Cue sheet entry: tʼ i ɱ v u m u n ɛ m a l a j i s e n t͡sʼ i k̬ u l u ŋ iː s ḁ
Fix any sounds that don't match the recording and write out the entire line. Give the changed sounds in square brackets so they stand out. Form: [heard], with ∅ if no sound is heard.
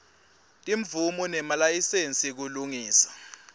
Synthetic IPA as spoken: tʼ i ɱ v u m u n ɛ m a l a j i s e n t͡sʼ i k̬ u l u ŋ iː s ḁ